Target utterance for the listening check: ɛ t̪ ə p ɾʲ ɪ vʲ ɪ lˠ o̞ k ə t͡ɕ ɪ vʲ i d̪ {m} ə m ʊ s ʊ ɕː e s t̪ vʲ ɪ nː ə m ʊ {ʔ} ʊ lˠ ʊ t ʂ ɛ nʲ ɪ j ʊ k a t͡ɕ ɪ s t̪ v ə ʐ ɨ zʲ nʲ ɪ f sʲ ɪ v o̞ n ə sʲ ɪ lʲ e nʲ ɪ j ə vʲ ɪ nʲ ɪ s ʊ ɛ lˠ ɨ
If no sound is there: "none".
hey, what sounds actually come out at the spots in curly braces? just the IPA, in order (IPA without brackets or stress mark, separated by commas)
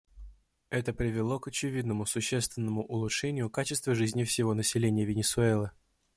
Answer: n, ʔ